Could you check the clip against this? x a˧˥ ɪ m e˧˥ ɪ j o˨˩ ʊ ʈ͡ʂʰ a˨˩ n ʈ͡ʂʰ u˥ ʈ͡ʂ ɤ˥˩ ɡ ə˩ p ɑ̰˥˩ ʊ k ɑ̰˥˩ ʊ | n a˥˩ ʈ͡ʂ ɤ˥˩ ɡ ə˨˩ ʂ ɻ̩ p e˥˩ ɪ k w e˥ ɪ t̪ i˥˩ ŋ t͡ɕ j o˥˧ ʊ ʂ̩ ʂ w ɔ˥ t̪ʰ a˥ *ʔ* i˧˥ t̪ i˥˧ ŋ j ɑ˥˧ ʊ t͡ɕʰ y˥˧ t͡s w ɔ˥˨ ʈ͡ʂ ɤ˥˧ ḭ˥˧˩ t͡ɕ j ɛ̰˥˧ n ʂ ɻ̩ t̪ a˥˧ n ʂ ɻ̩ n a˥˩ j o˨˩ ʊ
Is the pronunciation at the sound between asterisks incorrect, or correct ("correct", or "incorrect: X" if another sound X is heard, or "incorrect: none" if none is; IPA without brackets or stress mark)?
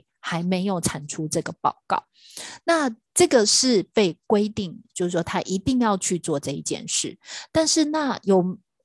correct